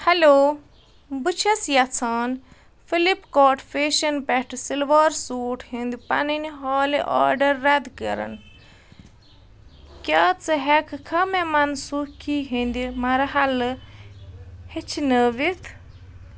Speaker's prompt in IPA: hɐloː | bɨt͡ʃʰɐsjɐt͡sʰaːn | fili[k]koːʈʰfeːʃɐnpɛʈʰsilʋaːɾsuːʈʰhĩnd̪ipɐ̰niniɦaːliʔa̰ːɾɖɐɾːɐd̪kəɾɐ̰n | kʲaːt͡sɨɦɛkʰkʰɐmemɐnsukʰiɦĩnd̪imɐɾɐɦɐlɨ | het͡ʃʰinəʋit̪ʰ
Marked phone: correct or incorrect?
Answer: incorrect: p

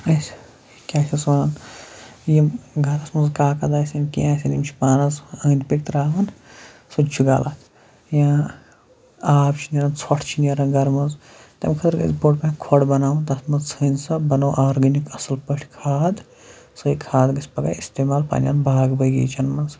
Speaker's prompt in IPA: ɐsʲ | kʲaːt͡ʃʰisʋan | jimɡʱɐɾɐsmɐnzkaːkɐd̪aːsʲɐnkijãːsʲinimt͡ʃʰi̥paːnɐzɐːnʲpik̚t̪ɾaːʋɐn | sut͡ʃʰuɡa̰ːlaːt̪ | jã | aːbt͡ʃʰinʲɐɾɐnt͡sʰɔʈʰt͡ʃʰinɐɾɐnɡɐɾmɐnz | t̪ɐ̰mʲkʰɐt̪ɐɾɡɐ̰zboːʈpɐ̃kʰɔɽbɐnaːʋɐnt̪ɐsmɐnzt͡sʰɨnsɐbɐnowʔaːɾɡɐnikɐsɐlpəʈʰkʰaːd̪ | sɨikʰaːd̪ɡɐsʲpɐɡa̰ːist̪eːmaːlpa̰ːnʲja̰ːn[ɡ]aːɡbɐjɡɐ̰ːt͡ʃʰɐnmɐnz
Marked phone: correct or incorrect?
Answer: incorrect: b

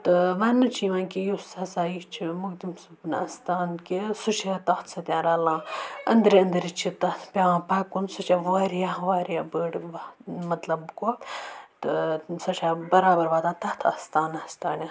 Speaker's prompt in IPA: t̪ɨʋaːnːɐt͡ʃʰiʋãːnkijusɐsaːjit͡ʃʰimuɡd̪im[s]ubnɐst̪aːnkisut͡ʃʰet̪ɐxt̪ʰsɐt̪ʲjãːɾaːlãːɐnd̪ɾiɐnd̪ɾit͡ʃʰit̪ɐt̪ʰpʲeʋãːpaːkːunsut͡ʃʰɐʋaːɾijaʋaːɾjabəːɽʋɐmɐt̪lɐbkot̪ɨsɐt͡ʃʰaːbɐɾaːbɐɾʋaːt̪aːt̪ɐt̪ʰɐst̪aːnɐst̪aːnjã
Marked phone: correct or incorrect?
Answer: correct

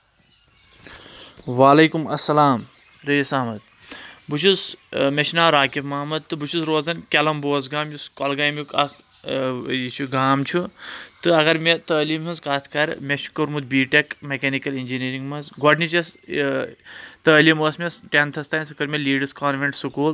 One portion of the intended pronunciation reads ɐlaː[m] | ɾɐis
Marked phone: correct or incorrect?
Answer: correct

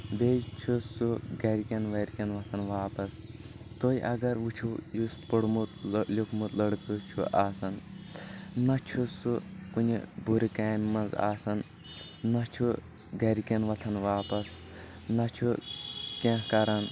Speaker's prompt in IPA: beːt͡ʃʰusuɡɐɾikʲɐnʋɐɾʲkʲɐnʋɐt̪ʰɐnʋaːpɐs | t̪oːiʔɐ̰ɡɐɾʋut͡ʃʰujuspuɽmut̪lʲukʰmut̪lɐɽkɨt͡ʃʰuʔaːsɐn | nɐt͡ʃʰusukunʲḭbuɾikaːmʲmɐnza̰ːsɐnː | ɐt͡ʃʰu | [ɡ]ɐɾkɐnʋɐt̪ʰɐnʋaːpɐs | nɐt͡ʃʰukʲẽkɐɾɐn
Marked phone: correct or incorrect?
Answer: correct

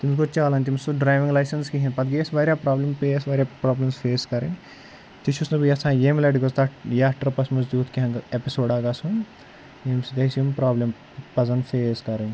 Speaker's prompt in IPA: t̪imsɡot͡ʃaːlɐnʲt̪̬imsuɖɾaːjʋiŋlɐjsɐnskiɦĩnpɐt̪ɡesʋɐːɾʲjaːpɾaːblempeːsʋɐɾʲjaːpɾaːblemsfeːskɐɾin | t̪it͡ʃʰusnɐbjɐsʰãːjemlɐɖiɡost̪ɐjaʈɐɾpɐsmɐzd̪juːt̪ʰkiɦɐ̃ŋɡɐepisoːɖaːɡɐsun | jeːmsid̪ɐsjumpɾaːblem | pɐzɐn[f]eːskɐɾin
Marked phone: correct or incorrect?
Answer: correct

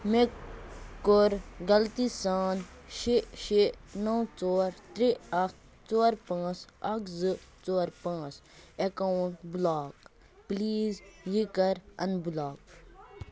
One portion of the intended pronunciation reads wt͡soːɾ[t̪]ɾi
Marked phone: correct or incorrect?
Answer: correct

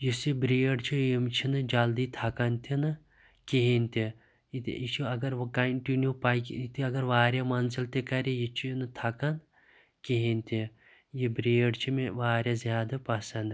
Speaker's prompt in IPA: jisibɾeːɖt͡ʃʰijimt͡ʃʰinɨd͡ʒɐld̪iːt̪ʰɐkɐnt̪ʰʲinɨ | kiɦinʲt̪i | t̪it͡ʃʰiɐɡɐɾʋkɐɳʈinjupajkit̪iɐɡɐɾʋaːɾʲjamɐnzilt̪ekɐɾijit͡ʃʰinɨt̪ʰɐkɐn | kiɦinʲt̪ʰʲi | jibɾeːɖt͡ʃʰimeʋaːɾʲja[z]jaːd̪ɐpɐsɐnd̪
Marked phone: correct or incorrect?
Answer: correct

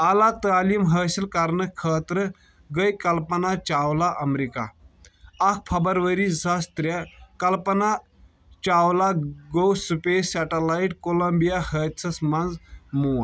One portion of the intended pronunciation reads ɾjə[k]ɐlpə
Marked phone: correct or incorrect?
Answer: correct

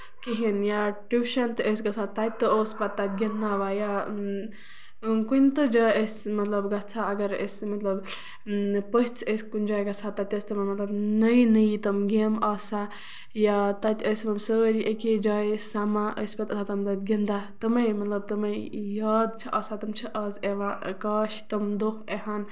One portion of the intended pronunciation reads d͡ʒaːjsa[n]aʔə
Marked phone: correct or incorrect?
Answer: incorrect: m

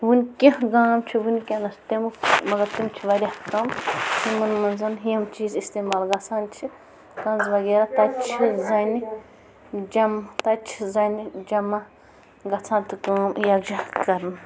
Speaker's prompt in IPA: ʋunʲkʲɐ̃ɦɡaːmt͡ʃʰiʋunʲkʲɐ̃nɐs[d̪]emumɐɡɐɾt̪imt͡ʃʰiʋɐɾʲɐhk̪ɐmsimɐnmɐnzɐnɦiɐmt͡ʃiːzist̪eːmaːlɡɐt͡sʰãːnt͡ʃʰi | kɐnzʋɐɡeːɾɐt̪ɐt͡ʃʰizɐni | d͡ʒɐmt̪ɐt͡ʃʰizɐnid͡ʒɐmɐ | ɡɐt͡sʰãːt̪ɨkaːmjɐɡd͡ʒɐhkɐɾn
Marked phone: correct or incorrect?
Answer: incorrect: t̪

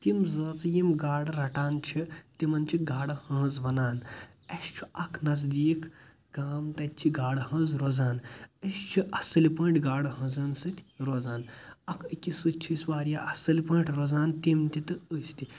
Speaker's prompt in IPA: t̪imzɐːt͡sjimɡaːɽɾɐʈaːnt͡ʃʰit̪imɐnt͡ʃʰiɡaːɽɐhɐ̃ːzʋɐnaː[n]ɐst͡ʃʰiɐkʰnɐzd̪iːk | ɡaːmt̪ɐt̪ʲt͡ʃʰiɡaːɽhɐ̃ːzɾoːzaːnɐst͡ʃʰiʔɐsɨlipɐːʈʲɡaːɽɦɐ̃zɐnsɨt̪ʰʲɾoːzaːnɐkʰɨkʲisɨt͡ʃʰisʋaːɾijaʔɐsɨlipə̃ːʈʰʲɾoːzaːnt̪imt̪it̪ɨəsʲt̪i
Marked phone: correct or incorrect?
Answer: correct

